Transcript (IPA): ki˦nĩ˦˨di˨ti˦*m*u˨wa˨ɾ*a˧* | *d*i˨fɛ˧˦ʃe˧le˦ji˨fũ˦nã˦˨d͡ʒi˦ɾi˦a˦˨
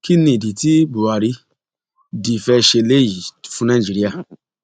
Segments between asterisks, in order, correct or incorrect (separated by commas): incorrect, incorrect, correct